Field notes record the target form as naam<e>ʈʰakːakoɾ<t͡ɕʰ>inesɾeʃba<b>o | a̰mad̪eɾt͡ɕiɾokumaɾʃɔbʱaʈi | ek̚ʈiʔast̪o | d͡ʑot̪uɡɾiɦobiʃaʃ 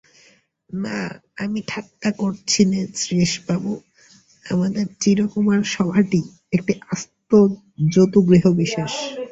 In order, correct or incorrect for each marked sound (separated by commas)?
incorrect, correct, correct